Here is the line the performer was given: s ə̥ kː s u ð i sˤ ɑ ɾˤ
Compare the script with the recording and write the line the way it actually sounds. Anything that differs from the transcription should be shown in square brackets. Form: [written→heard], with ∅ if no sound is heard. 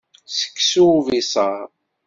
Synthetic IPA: s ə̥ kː s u [ð→v] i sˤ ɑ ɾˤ